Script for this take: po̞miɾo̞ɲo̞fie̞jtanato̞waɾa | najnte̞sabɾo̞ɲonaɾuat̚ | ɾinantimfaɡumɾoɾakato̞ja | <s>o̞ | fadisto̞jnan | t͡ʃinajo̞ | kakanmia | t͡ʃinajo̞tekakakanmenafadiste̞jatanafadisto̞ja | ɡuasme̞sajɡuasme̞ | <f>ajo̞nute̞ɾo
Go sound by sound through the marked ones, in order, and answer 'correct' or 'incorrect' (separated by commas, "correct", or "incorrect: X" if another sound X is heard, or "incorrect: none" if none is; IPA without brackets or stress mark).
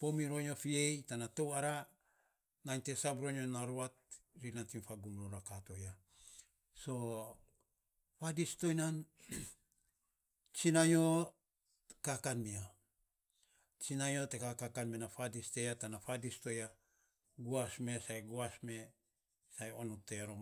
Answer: correct, incorrect: s